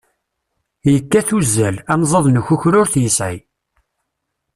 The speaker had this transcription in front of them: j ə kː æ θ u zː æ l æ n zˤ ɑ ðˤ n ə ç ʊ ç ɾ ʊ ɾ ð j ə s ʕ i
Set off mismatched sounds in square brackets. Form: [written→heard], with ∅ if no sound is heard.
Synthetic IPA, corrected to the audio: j ə kː æ θ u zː æ l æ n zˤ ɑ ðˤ n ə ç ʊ ç ɾ ʊ ɾ [ð→θ] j ə s ʕ i